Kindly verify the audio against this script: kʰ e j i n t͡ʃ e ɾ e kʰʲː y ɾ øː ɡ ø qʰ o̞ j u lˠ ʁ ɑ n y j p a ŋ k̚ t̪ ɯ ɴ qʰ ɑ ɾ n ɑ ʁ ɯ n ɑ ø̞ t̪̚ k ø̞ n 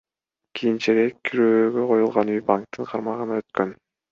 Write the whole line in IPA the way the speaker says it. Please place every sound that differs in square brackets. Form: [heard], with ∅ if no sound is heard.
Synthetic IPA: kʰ [i] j i n t͡ʃ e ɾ e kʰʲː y ɾ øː ɡ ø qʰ o̞ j u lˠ ʁ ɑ n y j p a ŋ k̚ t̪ ɯ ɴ qʰ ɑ ɾ [m] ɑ ʁ ɯ n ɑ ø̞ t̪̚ k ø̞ n